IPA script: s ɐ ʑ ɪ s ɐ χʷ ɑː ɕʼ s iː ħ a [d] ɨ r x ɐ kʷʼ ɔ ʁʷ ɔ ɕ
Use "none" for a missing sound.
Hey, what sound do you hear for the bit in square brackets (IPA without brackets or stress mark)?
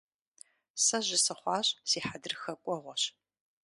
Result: d